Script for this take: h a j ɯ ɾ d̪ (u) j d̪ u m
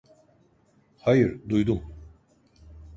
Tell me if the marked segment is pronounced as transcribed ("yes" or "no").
yes